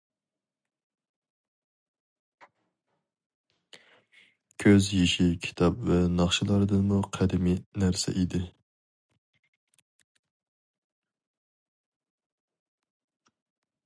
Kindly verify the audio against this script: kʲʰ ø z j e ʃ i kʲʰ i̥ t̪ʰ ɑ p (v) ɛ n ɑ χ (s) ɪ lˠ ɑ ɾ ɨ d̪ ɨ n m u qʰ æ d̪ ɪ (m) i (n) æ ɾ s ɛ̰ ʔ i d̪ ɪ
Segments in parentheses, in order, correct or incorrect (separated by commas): correct, incorrect, correct, correct